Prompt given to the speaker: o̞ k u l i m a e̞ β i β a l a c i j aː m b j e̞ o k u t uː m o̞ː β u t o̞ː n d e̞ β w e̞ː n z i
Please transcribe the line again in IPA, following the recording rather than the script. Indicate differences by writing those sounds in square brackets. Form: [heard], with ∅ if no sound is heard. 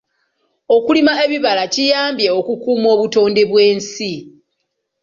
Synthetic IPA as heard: o̞ k u l i m a e̞ β i β a l a c i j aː m b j e̞ o k u [k] uː m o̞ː β u t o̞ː n d e̞ β w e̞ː n [s] i